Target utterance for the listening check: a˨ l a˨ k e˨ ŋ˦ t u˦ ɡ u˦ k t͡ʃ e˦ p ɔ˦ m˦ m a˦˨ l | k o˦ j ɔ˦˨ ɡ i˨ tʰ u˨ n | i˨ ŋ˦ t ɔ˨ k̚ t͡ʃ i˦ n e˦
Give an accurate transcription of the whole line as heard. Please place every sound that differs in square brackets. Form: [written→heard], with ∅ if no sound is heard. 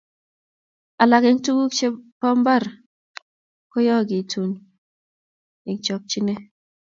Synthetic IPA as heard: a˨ l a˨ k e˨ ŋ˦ t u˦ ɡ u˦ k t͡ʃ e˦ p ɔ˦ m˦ [m→b] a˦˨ [l→ɾ] | k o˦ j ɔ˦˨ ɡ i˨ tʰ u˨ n | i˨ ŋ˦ [t→t͡ʃ] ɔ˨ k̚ t͡ʃ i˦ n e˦